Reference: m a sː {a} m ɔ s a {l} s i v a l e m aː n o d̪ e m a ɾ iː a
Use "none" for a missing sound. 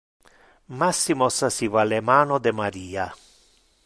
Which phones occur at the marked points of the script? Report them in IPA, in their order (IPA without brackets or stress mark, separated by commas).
i, none